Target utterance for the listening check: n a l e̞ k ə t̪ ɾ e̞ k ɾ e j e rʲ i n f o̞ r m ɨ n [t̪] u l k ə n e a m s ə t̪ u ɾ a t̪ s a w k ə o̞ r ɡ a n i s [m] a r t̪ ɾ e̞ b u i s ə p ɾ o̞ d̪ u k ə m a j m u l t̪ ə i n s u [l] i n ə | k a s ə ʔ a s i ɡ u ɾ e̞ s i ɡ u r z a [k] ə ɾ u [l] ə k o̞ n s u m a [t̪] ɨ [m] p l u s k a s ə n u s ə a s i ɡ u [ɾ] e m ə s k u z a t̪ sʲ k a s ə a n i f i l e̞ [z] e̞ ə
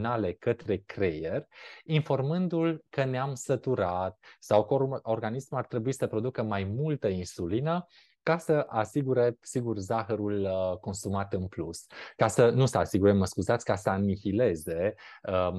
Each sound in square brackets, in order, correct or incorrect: incorrect, correct, correct, incorrect, correct, correct, incorrect, correct, correct

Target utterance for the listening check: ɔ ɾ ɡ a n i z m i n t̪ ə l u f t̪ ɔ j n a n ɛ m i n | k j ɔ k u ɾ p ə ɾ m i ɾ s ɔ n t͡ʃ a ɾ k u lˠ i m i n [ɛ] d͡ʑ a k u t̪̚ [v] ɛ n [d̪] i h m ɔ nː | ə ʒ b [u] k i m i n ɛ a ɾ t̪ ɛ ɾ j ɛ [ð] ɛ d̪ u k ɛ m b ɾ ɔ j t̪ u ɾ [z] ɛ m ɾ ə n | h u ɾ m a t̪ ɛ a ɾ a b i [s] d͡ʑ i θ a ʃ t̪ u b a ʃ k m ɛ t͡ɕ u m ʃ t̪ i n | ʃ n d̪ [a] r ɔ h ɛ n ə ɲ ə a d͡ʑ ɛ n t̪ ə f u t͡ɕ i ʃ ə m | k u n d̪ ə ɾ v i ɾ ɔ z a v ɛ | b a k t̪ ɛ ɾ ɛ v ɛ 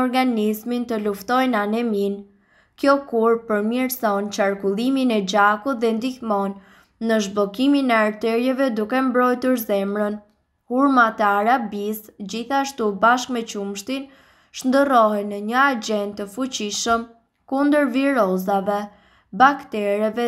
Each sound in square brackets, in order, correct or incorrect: correct, incorrect, correct, incorrect, incorrect, correct, correct, incorrect

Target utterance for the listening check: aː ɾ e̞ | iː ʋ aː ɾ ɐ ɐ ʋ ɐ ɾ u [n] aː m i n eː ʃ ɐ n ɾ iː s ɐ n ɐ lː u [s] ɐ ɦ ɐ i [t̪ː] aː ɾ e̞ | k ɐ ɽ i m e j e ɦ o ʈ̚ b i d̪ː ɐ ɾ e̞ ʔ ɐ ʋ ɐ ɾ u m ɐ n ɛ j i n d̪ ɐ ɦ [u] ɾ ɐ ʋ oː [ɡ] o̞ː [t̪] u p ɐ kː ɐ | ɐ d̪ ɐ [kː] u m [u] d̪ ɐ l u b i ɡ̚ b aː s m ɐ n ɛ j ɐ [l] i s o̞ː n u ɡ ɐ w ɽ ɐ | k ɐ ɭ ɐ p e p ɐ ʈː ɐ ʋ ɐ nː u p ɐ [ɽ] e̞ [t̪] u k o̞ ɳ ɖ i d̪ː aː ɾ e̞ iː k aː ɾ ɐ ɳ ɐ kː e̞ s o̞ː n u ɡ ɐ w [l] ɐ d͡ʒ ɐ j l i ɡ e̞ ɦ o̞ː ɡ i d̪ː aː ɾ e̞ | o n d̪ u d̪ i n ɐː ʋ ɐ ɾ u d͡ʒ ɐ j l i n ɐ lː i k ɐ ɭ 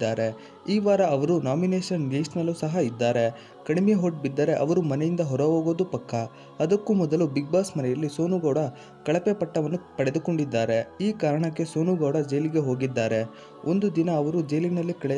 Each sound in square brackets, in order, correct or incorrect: correct, correct, incorrect, incorrect, correct, incorrect, correct, incorrect, incorrect, correct, incorrect, incorrect

